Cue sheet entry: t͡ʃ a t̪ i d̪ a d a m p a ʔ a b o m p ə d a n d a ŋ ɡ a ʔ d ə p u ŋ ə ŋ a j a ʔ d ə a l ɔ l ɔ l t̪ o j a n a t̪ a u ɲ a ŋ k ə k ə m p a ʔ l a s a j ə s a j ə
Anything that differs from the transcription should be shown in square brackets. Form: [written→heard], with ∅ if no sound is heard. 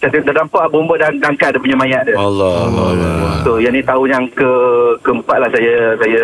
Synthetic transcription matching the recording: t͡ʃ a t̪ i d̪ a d a m p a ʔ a b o m [p→b] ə d a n d a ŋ [ɡ→k] a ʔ d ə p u [ŋ→ɲ] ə [ŋ→m] a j a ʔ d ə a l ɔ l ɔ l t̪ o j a n [a→i] t̪ a u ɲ a ŋ k ə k ə m p a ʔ l a s a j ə s a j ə